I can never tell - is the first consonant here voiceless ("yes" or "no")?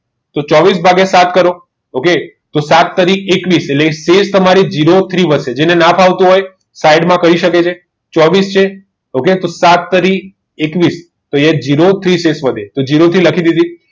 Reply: yes